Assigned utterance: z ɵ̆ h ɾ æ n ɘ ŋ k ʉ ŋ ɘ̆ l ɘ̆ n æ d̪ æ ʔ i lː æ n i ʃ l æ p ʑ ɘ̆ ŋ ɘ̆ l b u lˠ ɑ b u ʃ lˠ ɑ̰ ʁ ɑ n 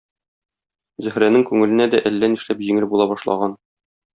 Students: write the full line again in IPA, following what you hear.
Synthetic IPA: z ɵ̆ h ɾ æ n ɘ ŋ k ʉ ŋ ɘ̆ l ɘ̆ n æ d̪ æ ʔ æ lː æ n i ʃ l æ p ʑ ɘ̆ ŋ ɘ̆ l b u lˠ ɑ b ɒ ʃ lˠ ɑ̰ ʁ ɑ n